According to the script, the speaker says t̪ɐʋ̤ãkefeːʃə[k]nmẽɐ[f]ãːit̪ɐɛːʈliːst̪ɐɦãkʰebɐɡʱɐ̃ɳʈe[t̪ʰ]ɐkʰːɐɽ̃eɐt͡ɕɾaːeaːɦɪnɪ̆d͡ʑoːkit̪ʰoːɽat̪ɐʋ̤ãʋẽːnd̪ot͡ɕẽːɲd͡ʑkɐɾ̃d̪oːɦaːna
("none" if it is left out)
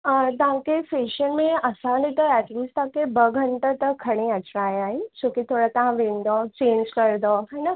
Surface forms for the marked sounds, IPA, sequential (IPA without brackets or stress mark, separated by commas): none, s, t̪